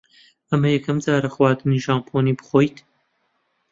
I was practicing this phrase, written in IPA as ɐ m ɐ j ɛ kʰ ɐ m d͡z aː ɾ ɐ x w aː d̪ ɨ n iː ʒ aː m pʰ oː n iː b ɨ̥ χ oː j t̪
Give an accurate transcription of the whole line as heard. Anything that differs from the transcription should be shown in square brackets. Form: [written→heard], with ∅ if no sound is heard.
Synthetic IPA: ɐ m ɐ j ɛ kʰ ɐ m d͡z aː ɾ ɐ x w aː d̪ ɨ n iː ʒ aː m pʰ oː n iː b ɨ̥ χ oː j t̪